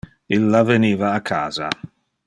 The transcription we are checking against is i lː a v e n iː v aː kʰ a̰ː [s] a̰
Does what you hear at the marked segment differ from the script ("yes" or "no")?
yes